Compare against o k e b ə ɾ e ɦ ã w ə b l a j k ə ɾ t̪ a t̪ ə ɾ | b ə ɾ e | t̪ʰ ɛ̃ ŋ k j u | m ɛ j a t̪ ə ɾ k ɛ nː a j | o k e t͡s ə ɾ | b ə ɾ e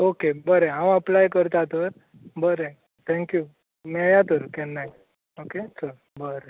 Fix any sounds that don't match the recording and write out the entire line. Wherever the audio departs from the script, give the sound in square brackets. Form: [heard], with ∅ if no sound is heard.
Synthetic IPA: o k e b ə ɾ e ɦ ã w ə [p] l a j k ə ɾ t̪ a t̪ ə ɾ | b ə ɾ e | t̪ʰ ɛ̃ ŋ k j u | m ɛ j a t̪ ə ɾ k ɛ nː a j | o k e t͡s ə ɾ | b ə ɾ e